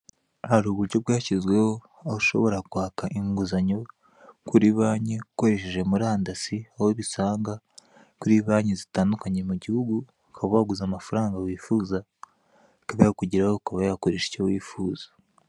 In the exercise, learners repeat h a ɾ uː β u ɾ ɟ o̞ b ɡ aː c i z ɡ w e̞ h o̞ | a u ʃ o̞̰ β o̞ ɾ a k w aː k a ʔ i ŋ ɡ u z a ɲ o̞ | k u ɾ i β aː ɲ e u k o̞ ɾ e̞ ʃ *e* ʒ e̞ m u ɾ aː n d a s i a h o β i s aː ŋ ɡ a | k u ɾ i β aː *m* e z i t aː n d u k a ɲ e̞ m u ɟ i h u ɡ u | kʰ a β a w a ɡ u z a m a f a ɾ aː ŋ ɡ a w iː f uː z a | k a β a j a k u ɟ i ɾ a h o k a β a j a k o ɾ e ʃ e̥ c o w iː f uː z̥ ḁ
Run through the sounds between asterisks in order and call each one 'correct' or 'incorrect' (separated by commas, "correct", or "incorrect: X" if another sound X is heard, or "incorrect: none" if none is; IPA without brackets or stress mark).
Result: correct, incorrect: ɲ